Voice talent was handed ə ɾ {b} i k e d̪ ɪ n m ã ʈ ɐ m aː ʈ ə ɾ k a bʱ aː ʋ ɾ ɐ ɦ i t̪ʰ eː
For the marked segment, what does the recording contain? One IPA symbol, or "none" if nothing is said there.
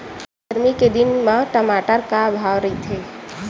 m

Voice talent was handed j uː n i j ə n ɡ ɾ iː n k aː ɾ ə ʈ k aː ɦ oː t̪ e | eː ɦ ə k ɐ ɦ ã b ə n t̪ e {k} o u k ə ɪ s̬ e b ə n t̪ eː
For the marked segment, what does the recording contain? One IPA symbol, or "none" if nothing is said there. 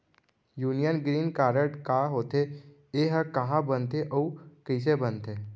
ʔ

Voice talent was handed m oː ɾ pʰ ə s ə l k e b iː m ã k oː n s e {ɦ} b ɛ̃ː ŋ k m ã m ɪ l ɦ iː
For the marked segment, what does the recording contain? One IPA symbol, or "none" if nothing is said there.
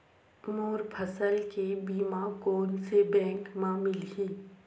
none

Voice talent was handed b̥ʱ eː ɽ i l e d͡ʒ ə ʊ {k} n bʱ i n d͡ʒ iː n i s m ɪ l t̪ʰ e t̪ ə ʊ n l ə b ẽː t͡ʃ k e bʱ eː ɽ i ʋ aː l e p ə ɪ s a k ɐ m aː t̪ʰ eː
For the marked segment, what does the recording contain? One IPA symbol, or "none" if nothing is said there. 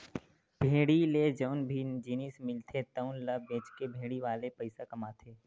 none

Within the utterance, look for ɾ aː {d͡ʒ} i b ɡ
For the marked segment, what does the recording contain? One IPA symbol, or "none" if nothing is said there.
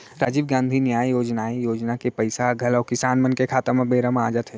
d͡ʒ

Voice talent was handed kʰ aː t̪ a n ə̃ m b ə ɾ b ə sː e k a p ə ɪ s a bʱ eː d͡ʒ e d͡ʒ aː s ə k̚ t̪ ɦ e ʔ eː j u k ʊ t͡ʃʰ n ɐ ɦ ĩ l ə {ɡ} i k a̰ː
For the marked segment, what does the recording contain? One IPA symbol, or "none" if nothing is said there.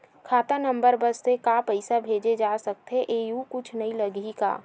ɡ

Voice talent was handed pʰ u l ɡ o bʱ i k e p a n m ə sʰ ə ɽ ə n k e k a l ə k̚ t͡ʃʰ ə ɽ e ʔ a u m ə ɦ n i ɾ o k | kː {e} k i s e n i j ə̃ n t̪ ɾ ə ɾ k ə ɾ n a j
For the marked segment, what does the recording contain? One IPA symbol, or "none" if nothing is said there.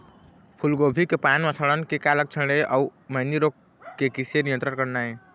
e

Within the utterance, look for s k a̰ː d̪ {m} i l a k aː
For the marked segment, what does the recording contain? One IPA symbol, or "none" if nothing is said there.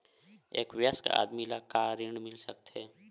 m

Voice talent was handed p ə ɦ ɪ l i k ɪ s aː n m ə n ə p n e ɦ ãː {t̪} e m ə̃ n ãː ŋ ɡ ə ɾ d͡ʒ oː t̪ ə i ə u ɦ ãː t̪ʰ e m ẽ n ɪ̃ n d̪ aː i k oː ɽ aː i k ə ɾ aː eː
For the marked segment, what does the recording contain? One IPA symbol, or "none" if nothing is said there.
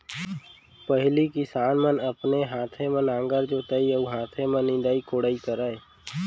t̪ʰ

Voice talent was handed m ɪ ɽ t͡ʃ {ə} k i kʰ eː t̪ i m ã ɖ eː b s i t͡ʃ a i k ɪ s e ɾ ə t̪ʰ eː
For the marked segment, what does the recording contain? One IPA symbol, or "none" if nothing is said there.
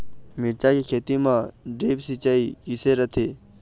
a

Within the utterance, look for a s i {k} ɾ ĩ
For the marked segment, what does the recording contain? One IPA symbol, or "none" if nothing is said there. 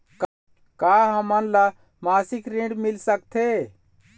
k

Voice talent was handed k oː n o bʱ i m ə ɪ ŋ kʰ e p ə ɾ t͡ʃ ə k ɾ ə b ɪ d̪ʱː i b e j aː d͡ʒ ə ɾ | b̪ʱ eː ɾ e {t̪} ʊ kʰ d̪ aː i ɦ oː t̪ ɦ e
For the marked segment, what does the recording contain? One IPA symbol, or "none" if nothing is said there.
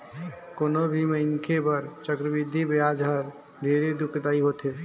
d̪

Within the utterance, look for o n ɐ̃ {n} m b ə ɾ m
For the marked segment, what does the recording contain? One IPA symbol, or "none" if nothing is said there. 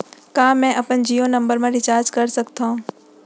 none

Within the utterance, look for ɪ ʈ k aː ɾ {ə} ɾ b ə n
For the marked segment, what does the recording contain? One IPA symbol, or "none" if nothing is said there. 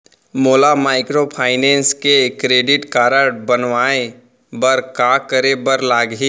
ə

